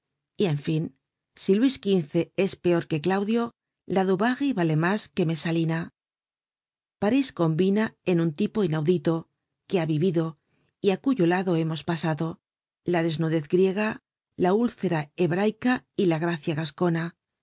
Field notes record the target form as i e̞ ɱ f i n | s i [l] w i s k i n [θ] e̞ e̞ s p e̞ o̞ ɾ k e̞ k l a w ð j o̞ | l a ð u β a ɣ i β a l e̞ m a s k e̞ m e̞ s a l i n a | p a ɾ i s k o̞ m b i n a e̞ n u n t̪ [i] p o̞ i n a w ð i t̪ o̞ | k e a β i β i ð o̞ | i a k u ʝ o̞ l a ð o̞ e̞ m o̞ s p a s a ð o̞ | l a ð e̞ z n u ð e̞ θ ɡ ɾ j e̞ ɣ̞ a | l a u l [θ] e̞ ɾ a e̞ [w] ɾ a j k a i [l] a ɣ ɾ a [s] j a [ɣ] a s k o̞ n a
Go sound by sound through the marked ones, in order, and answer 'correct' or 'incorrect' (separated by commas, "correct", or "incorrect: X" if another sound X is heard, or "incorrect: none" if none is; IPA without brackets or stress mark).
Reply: correct, correct, correct, correct, incorrect: β, correct, incorrect: θ, correct